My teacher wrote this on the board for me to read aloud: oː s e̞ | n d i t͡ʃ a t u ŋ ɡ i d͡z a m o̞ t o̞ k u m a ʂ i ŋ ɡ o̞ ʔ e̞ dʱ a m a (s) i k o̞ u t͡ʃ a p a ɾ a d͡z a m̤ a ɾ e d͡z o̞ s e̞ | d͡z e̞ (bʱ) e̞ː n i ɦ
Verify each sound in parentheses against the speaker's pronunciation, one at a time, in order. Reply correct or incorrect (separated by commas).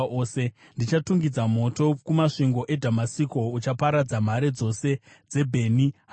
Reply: correct, correct